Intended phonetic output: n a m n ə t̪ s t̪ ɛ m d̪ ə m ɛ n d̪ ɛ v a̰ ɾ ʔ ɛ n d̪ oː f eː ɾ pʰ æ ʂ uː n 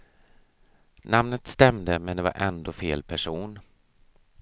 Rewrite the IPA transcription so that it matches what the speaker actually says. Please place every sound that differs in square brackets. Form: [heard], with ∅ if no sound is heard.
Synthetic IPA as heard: n a m n ə t̪ s t̪ ɛ m d̪ ə m ɛ n d̪ ɛ v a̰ ɾ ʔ ɛ n d̪ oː f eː [l] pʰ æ ʂ uː n